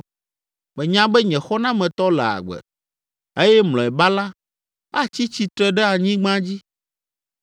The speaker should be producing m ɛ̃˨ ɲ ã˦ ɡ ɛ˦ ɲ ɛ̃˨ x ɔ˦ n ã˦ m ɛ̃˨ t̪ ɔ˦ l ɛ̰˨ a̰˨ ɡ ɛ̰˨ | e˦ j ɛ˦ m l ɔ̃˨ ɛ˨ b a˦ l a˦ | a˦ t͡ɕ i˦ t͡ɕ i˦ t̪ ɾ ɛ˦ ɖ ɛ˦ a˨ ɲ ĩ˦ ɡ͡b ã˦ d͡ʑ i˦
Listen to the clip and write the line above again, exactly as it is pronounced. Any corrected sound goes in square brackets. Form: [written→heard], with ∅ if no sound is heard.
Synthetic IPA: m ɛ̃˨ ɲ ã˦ [ɡ→b] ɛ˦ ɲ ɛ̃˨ x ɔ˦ n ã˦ m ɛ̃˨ t̪ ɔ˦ l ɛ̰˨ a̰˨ [ɡ→ɡ͡b] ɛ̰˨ | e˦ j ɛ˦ m l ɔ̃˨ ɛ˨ b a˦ l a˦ | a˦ t͡ɕ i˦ t͡ɕ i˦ t̪ ɾ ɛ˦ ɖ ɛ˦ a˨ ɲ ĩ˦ ɡ͡b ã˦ d͡ʑ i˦